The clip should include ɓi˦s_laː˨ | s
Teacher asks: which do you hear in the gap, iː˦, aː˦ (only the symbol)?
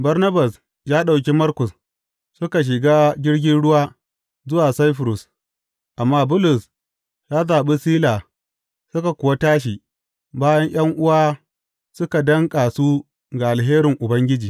iː˦